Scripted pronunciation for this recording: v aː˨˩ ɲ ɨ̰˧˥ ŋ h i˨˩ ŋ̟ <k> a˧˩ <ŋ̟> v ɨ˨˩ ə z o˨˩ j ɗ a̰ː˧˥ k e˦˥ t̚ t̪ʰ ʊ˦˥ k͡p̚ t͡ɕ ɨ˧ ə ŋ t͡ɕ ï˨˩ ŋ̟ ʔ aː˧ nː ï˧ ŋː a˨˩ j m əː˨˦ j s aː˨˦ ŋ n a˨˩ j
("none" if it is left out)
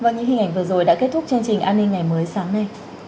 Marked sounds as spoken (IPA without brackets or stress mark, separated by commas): ʔ, ŋ̟